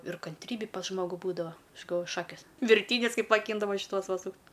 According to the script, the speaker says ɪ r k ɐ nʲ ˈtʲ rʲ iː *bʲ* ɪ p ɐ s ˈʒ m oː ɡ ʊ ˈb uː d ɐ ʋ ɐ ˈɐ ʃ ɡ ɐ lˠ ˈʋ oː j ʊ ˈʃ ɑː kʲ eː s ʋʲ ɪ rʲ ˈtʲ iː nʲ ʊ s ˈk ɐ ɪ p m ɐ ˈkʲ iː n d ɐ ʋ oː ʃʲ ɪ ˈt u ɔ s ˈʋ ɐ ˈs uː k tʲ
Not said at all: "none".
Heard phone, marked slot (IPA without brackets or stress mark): bʲ